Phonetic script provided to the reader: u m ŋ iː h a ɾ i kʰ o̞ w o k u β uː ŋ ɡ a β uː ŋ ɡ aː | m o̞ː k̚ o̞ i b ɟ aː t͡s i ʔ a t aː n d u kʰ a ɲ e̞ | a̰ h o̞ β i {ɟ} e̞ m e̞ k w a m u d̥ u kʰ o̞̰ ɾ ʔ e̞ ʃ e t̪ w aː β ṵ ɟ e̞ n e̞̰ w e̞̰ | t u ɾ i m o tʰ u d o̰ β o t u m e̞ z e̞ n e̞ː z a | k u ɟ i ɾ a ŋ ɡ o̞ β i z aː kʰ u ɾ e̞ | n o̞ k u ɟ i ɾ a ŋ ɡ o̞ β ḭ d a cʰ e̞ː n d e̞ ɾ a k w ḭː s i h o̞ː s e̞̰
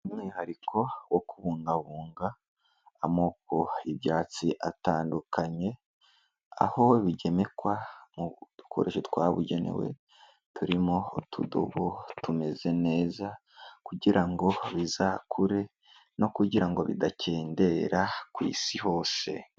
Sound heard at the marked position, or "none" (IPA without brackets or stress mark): ɟ